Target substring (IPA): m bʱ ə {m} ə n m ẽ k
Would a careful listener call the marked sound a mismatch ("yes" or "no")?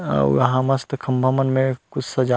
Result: no